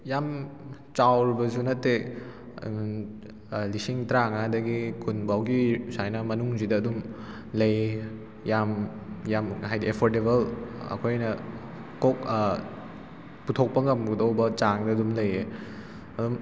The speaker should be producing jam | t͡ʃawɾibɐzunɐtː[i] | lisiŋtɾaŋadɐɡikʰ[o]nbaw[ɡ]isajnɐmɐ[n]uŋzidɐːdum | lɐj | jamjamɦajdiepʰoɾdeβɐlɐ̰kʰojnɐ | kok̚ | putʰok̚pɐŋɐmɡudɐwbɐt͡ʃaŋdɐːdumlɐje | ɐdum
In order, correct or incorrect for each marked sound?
incorrect, incorrect, correct, correct

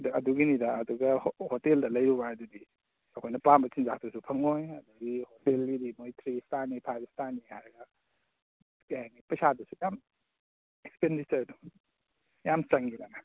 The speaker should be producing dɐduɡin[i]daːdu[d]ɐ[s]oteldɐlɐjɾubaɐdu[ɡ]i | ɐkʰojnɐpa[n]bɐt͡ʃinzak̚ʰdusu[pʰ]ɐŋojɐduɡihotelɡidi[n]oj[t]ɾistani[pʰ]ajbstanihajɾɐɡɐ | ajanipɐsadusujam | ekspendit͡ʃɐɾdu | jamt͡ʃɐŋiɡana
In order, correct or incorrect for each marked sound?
correct, incorrect, incorrect, incorrect, incorrect, correct, incorrect, incorrect, correct

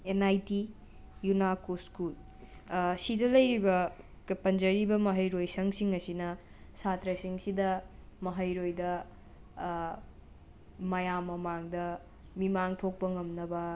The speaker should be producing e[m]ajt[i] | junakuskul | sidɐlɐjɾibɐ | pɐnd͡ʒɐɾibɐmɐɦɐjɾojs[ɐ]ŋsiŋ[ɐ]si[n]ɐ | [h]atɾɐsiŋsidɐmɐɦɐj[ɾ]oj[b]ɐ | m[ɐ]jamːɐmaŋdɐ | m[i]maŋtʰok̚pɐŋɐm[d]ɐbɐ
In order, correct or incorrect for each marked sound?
incorrect, correct, correct, correct, correct, incorrect, correct, incorrect, correct, correct, incorrect

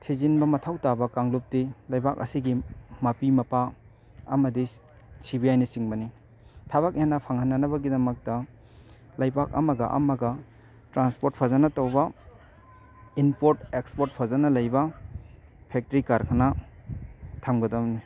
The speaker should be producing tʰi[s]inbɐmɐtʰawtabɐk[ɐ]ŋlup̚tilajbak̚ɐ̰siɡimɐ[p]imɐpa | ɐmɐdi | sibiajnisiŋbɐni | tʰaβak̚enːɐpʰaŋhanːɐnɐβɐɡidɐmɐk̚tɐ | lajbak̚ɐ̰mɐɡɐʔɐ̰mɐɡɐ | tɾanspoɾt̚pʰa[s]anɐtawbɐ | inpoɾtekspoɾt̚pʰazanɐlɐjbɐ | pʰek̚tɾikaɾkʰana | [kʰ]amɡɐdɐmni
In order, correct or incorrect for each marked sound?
incorrect, incorrect, correct, incorrect, incorrect

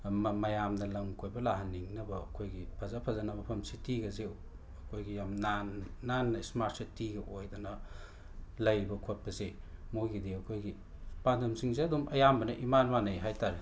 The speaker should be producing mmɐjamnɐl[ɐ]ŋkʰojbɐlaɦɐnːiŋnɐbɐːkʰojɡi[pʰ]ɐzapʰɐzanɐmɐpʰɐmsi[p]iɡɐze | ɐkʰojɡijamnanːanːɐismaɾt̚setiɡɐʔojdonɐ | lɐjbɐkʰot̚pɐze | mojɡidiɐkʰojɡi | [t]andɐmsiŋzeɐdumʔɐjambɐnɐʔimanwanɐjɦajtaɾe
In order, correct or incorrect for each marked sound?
correct, correct, incorrect, incorrect

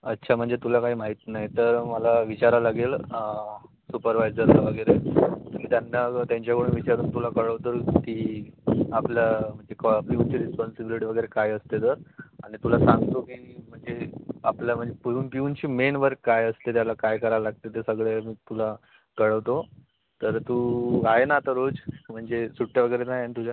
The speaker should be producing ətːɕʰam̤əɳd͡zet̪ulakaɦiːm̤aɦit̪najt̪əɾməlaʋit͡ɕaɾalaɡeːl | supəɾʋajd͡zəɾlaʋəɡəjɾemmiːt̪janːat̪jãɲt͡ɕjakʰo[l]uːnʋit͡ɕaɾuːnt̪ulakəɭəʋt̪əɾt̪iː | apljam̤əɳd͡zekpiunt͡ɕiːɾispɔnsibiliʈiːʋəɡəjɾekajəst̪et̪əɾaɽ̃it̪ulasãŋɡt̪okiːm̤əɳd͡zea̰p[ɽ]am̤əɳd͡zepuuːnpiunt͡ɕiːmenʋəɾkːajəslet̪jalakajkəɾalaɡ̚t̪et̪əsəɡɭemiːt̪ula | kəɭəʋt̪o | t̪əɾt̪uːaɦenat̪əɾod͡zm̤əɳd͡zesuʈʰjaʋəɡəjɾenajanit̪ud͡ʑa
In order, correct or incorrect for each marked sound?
incorrect, incorrect

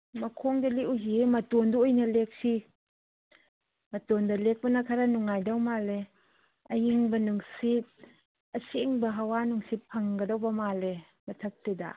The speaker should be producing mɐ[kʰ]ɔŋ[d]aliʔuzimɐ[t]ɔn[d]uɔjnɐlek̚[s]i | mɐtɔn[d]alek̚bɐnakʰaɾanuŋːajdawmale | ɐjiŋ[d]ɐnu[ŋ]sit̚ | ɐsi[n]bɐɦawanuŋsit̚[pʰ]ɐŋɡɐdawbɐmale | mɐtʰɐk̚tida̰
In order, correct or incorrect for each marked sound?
correct, correct, correct, correct, correct, correct, incorrect, correct, incorrect, correct

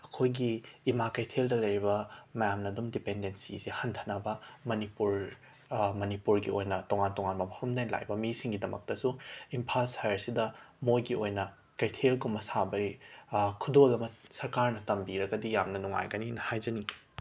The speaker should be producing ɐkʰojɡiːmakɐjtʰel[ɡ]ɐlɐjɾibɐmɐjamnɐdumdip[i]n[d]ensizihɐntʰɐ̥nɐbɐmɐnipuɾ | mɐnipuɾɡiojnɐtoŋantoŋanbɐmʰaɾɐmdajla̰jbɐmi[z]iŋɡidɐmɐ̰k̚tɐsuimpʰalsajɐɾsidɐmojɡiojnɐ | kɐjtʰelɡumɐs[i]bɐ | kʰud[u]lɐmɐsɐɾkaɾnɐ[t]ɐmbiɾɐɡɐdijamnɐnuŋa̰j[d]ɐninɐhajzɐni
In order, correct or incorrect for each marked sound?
incorrect, incorrect, correct, incorrect, incorrect, incorrect, correct, incorrect

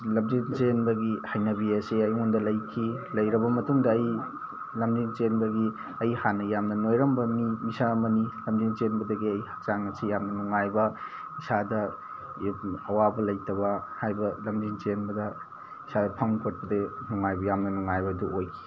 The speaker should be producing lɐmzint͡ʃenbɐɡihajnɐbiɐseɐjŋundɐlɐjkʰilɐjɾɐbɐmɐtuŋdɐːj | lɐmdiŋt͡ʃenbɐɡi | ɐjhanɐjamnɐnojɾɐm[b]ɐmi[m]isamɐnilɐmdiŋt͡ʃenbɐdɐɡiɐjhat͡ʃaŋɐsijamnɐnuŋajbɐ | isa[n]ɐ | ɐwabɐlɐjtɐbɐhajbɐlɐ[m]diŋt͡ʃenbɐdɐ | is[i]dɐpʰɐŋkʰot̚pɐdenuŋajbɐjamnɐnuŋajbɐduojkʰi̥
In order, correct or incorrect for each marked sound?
correct, correct, incorrect, correct, incorrect

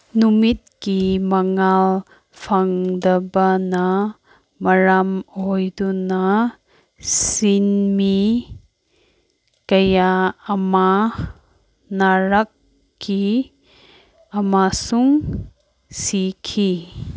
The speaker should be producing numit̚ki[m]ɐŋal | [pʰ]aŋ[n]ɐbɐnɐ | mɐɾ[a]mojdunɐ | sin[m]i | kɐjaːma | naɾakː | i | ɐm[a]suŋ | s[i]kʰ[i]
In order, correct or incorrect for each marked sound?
correct, correct, incorrect, correct, correct, correct, correct, correct

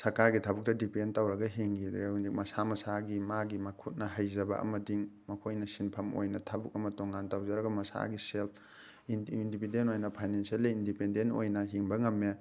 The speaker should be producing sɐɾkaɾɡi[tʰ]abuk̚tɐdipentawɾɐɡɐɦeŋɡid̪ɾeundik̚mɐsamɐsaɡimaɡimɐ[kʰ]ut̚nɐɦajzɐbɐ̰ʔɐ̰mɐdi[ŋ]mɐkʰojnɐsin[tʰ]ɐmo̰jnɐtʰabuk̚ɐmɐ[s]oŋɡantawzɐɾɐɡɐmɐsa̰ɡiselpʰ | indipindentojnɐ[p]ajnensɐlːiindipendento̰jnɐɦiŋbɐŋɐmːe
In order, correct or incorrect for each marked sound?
correct, correct, correct, incorrect, incorrect, incorrect

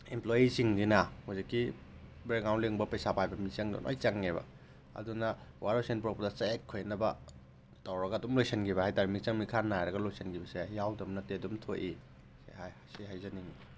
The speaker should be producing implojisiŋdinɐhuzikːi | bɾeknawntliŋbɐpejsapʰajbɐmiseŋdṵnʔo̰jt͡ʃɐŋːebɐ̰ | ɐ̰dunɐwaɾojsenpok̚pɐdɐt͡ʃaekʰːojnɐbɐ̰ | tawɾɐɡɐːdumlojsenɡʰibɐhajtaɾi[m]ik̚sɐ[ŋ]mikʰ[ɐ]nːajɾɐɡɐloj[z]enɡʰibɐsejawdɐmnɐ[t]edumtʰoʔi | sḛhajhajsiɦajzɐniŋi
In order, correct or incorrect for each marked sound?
correct, correct, incorrect, incorrect, correct

